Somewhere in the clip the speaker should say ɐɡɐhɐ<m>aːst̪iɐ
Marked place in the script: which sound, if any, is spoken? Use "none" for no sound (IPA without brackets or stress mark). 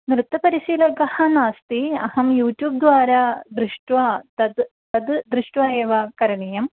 n